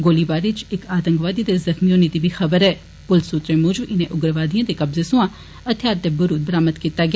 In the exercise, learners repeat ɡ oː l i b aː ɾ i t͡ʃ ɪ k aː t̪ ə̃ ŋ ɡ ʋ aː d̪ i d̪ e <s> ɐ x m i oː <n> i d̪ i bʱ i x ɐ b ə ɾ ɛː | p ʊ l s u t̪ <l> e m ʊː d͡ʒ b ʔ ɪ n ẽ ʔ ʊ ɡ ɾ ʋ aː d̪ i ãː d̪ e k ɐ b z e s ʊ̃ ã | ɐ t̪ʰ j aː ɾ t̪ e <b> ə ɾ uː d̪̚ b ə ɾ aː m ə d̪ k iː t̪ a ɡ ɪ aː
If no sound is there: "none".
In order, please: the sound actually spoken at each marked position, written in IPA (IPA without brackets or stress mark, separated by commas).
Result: z, n, ɾ, b